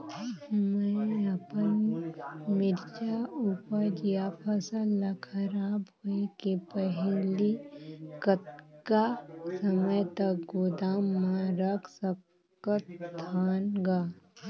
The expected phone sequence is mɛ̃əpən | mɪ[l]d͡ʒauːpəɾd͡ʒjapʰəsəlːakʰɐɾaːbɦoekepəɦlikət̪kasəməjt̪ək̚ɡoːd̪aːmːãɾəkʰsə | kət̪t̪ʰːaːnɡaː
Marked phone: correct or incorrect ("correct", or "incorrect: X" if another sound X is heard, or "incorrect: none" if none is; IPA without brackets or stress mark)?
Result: incorrect: ɾ